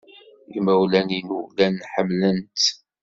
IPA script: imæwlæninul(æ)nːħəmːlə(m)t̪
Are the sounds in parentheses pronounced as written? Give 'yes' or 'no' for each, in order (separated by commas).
yes, no